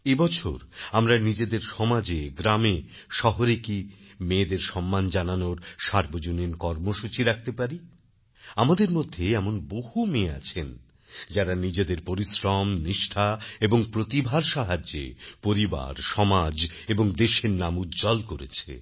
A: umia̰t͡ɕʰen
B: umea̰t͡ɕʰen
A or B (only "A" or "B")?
B